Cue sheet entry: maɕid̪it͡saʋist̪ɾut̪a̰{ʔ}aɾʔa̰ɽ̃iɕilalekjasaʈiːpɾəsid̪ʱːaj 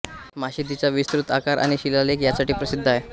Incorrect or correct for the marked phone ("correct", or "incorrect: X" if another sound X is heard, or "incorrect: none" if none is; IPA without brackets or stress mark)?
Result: incorrect: k